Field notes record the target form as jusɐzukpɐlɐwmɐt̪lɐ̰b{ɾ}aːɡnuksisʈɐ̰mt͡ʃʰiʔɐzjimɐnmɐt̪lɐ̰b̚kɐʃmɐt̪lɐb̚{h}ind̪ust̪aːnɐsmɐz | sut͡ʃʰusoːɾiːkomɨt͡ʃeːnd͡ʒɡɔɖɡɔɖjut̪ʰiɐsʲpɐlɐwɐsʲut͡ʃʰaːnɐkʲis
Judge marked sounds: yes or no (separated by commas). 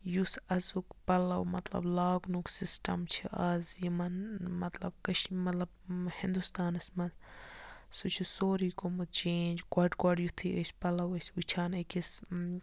no, yes